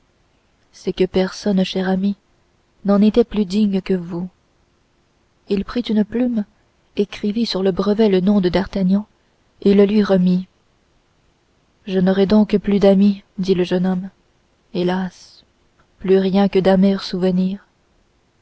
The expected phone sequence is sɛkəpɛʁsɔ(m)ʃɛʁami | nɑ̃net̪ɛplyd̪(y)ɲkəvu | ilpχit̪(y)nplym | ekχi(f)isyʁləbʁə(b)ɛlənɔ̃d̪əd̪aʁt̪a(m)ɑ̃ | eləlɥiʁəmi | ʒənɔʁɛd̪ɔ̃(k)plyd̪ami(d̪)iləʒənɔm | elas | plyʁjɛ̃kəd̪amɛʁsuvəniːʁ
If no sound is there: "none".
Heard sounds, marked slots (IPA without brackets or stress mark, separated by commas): n, i, y, v, v, ɲ, k, d̪